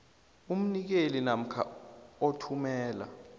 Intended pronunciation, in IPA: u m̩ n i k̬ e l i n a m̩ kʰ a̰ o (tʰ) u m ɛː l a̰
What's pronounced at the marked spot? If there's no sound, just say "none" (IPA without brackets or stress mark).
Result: tʰ